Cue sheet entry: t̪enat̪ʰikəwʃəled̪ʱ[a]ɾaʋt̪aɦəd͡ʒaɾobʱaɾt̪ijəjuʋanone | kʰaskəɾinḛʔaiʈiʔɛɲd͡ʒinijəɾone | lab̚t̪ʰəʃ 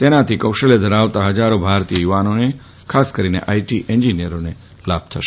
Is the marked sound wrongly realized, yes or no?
yes